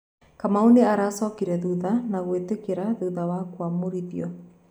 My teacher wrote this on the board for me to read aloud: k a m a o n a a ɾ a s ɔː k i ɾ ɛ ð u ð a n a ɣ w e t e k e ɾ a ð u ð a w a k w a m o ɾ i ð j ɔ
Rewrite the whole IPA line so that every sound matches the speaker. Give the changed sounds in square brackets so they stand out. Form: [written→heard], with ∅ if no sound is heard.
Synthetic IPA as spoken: k a m a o n [a→e] a ɾ a s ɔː k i ɾ ɛ ð u ð a n a ɣ w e t e k e ɾ a ð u ð a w a k w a m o ɾ i ð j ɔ